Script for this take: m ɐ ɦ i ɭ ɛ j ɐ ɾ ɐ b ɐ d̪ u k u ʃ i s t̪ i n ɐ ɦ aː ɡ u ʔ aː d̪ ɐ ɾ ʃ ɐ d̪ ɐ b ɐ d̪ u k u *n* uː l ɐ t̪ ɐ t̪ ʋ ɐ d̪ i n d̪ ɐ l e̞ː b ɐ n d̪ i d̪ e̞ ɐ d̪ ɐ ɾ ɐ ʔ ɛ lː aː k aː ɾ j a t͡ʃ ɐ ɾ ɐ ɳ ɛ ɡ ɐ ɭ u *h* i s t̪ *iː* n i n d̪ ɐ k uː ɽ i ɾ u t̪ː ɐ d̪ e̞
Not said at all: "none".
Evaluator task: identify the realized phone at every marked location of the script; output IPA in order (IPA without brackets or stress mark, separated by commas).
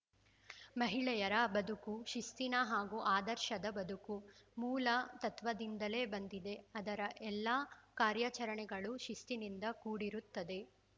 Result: m, ʃ, i